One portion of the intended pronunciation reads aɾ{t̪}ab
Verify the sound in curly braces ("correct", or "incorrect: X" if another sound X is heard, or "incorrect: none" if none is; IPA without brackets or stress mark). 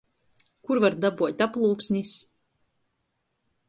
incorrect: d̪